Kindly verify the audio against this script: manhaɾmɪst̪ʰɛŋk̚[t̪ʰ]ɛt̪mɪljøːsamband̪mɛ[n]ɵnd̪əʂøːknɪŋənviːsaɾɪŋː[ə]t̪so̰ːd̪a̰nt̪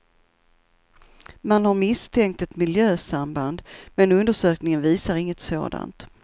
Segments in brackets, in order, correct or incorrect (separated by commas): incorrect, correct, correct